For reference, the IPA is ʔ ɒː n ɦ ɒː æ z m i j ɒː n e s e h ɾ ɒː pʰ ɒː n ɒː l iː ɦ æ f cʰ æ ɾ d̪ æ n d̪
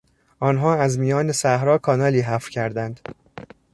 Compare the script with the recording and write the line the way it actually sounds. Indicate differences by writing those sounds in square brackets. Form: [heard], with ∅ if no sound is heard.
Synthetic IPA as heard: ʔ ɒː n ɦ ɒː æ z m i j ɒː n e s [æ] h ɾ ɒː [kʰ] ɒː n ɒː l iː ɦ æ f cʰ æ ɾ d̪ æ n d̪